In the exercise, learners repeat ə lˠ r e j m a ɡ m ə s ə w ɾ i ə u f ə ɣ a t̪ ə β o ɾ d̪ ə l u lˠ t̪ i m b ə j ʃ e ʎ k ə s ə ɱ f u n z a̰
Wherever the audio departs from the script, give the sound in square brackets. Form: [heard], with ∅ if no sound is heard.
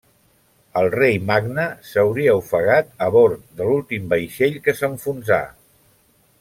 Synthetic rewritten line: ə lˠ r e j m a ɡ [n] ə s ə w ɾ i ə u f ə ɣ a t̪ ə β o ɾ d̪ ə l u lˠ t̪ i m b ə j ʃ e ʎ k ə s ə ɱ f u n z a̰